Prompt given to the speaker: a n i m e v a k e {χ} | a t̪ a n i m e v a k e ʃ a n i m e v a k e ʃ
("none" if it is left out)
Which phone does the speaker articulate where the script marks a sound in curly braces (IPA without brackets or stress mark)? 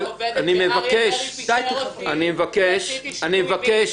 ʃ